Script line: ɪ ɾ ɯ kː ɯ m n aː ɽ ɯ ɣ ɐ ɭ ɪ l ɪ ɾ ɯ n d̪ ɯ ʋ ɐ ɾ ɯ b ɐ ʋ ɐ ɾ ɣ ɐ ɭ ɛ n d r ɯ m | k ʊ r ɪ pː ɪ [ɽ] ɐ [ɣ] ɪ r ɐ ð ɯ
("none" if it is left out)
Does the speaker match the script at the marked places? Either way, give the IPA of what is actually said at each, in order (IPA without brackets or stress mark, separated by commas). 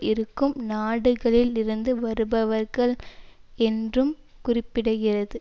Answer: ɽ, ɣ